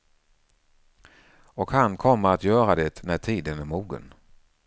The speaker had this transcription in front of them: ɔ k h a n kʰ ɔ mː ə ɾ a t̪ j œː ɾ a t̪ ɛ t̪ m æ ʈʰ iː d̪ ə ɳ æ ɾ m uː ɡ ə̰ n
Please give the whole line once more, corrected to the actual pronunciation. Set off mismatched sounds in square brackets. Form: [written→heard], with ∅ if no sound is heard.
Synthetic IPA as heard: ɔ k h a n kʰ ɔ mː ə ɾ a t̪ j œː ɾ a [t̪→d̪] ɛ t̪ [m→n] æ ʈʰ iː d̪ ə [ɳ→n] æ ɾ m uː ɡ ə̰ n

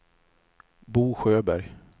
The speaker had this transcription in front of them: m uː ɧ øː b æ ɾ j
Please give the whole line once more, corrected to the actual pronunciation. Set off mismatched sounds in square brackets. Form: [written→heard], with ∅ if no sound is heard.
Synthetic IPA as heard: [m→b] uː ɧ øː b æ ɾ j

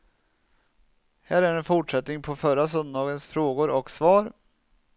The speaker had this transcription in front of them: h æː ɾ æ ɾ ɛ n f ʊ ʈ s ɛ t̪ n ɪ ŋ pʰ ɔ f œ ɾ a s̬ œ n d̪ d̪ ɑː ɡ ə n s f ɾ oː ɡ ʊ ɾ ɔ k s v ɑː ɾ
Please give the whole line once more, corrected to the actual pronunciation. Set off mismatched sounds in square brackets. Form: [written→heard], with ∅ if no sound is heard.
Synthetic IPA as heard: h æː ɾ æ ɾ ɛ n f ʊ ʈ [s→ʂ] ɛ t̪ n ɪ ŋ pʰ ɔ f œ ɾ a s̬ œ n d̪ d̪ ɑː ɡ ə n s f ɾ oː ɡ ʊ ɾ ɔ k s v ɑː ɾ

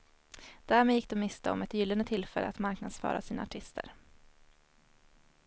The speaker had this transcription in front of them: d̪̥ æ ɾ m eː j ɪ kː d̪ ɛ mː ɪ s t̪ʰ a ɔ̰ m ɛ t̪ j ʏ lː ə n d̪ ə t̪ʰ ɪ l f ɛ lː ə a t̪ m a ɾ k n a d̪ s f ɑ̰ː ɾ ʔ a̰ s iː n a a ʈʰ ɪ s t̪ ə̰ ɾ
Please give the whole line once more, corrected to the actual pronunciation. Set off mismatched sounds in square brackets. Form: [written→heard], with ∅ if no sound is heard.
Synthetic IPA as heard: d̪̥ æ ɾ m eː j ɪ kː d̪ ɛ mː ɪ s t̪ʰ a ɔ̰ m ɛ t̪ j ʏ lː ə n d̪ ə t̪ʰ ɪ l f ɛ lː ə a t̪ m a ɾ k n a d̪ s f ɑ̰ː ɾ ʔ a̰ s iː n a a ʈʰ ɪ s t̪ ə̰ ɾ

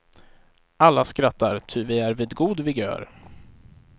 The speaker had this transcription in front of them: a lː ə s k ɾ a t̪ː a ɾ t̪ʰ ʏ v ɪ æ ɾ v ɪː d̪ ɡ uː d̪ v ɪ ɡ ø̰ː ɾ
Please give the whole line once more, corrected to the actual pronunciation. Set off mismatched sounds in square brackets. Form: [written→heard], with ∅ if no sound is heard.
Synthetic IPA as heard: a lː [ə→a] s k ɾ a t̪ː a ɾ t̪ʰ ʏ v ɪ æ ɾ v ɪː d̪ ɡ uː d̪ v ɪ ɡ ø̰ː ɾ

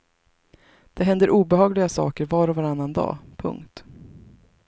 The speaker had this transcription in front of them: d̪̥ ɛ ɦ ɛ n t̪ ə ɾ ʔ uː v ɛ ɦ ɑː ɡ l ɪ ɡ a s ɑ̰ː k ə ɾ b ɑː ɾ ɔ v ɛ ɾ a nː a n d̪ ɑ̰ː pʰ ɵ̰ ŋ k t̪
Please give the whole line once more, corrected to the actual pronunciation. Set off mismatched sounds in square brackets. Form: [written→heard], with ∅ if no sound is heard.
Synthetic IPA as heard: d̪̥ ɛ ɦ ɛ n [t̪→d̪] ə ɾ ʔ uː [v→b] ɛ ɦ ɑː ɡ l ɪ ɡ a s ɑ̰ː k ə ɾ [b→v] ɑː ɾ ɔ v [ɛ→a] ɾ a nː a n d̪ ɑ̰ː pʰ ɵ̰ ŋ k t̪

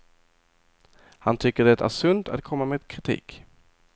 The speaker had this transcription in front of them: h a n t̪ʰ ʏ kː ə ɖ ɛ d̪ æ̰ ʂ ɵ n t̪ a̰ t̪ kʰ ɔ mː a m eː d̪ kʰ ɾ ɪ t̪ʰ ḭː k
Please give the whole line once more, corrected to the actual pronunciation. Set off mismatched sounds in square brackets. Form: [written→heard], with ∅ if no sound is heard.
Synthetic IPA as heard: h a n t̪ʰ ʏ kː ə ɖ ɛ [d̪→t̪] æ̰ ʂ ɵ n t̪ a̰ t̪ kʰ ɔ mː a m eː d̪ kʰ ɾ ɪ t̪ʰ ḭː k

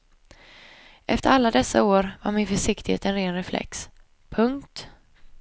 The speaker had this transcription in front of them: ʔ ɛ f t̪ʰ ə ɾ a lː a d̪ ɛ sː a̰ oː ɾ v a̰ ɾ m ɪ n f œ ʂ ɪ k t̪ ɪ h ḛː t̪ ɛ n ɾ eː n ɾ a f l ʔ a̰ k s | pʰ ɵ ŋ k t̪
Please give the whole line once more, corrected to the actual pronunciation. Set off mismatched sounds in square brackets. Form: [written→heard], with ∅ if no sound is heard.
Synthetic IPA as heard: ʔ ɛ f [t̪ʰ→t̪] ə ɾ a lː a d̪ ɛ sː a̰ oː ɾ v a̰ ɾ m ɪ n f œ ʂ ɪ k t̪ ɪ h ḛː t̪ ɛ n ɾ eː n ɾ [a→ɛ] f l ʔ [a̰→ɛ̰] k s | pʰ ɵ ŋ k t̪

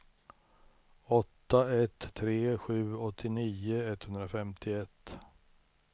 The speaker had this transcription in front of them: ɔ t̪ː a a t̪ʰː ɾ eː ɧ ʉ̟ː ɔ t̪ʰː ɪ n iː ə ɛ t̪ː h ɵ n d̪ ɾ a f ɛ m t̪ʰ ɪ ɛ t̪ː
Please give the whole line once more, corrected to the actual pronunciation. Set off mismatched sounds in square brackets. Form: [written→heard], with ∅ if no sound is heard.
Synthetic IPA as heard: ɔ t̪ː a [a→ɛ] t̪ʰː ɾ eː ɧ ʉ̟ː ɔ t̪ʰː ɪ n iː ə ɛ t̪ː h ɵ n d̪ ɾ a f ɛ m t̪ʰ ɪ ɛ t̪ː

